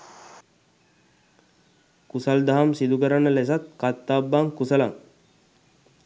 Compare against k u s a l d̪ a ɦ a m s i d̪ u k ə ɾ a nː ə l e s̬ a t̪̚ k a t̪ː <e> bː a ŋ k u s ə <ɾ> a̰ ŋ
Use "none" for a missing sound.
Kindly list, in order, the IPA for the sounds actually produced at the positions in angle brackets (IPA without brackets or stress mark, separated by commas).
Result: a, l